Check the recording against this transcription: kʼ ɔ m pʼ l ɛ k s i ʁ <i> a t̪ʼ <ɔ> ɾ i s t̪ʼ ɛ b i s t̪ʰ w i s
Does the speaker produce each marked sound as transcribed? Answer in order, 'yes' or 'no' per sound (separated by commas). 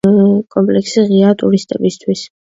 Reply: yes, no